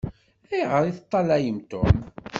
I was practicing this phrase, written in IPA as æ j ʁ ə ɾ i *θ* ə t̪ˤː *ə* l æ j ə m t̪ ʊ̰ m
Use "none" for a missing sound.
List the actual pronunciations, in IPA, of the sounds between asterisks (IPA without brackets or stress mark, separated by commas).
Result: θ, ɑ